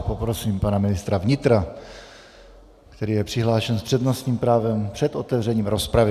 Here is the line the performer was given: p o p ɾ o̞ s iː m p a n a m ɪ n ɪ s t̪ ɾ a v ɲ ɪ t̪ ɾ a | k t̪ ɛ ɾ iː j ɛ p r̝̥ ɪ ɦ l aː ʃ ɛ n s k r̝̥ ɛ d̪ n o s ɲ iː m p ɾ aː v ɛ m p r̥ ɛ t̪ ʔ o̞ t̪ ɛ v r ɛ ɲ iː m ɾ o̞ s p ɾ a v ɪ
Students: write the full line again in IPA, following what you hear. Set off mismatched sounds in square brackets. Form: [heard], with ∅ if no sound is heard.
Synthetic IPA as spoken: p o p ɾ o̞ s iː m p a n a m ɪ n ɪ s t̪ ɾ a v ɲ ɪ t̪ ɾ a | k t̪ ɛ ɾ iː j ɛ p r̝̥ ɪ ɦ l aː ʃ ɛ n s [p] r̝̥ ɛ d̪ n o s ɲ iː m p ɾ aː v ɛ m p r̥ ɛ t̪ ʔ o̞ t̪ ɛ v r ɛ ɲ iː m ɾ o̞ s p ɾ a v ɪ